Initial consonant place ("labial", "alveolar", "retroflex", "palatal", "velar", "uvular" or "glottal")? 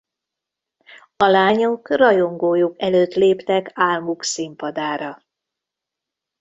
alveolar